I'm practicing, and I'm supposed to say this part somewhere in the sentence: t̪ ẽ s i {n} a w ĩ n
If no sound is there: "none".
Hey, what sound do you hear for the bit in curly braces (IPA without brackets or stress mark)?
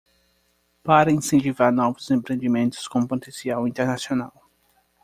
none